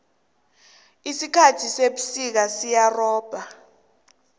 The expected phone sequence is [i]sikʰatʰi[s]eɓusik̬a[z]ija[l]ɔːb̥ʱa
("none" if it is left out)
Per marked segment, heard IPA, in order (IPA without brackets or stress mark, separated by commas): i, s, s, r